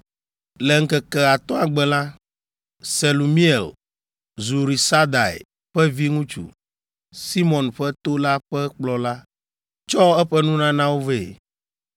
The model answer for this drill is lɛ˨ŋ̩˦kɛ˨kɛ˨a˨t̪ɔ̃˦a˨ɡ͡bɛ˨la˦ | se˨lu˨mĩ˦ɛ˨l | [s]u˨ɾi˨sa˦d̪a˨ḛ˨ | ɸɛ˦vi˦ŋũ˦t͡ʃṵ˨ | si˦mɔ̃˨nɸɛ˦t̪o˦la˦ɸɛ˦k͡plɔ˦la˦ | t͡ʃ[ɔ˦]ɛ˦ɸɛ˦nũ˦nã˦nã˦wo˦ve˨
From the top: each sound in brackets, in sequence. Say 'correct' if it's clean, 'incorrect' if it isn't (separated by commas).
incorrect, correct